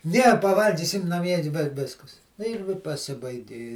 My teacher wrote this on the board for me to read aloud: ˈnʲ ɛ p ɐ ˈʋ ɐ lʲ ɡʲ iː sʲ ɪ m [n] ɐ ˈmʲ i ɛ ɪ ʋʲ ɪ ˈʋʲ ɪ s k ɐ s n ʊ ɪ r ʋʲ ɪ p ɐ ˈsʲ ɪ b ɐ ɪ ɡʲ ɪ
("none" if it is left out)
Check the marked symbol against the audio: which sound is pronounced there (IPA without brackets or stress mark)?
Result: n